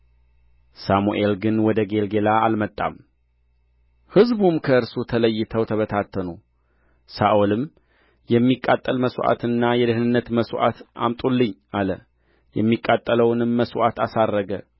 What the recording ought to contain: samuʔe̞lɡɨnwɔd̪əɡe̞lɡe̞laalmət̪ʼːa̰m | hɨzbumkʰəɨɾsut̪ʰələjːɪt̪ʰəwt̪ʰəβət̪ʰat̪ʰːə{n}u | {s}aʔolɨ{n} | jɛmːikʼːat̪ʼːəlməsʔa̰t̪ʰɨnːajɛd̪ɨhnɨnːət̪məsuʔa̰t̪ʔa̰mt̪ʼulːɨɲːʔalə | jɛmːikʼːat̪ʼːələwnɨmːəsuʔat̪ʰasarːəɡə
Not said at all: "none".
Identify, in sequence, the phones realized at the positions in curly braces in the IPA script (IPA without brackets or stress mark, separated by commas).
n, s, m